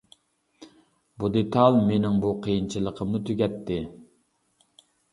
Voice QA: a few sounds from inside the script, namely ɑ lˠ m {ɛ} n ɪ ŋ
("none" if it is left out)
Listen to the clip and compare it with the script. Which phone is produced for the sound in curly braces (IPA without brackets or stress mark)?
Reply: e